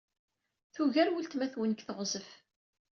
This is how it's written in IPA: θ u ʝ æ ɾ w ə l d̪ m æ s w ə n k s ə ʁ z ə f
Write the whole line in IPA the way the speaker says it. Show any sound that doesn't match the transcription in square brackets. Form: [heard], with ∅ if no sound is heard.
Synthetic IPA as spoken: θ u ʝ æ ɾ w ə l [t̪] m æ [θ] w ə n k [θ] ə ʁ z ə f

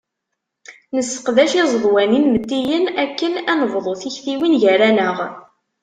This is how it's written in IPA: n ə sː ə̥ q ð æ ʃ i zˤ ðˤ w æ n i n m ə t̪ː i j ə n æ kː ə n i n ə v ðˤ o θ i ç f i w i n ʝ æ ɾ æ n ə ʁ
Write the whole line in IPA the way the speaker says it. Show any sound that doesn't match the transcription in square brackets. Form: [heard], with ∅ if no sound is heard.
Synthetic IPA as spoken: n ə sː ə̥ q ð æ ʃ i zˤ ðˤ w æ n i n m ə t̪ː i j ə n æ kː ə n [æ] n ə v ðˤ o θ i ç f i w i n ʝ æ ɾ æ n ə ʁ

